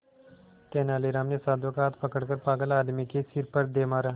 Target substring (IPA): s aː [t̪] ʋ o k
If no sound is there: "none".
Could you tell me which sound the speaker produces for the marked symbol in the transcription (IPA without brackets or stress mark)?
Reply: d̪